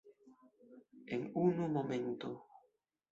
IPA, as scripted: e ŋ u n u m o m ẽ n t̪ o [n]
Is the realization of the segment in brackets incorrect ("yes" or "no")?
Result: yes